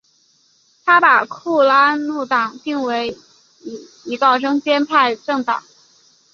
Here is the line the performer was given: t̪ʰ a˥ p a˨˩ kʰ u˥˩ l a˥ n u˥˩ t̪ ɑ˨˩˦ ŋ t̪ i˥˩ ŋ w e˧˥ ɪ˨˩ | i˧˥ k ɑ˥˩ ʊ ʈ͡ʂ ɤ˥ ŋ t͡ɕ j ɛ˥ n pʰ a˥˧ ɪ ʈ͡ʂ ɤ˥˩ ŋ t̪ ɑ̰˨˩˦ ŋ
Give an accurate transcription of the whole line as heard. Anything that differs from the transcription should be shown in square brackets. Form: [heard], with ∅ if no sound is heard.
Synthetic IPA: t̪ʰ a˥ p a˨˩ kʰ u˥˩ l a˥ n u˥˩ t̪ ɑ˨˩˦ ŋ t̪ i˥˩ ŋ w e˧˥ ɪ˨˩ | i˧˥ k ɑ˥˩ ʊ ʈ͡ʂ ɤ˥ ŋ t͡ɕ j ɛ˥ n pʰ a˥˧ ɪ ʈ͡ʂ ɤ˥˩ ŋ t̪ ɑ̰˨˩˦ ŋ